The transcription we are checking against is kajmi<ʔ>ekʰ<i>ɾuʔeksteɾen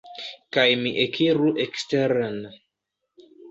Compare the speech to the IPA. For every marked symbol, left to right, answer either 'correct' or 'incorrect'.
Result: correct, correct

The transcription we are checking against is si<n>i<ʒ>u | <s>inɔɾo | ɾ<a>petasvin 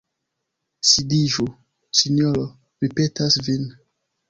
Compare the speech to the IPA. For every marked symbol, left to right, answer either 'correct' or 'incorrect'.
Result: incorrect: d, correct, correct, incorrect: i

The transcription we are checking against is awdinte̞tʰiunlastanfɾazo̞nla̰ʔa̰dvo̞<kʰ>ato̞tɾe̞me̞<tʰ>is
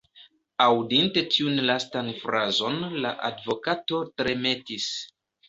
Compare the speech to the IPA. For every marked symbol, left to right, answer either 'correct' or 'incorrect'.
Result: incorrect: k, incorrect: t

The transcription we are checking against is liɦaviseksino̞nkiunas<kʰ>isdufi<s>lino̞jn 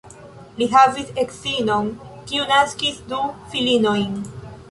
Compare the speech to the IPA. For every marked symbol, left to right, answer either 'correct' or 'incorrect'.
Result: incorrect: k, incorrect: none

